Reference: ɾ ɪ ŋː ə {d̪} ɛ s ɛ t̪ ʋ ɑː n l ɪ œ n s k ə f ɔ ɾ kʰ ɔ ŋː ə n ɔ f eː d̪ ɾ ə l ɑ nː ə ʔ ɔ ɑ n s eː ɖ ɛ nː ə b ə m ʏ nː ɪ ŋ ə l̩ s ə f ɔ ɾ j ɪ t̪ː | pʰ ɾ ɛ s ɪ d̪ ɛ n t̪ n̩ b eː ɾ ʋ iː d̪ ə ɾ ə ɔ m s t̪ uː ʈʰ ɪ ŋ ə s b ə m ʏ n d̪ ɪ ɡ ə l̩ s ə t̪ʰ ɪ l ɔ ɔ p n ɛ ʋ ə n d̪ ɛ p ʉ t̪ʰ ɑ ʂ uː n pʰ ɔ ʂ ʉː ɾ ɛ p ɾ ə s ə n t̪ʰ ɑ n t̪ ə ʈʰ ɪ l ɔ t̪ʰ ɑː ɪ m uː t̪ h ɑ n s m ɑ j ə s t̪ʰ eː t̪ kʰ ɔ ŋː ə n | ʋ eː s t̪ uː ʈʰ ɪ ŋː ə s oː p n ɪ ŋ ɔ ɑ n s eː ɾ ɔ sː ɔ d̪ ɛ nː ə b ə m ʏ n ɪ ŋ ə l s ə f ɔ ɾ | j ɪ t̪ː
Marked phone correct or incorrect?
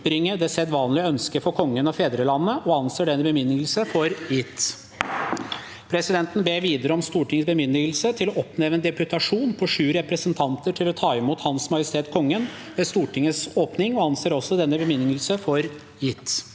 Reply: correct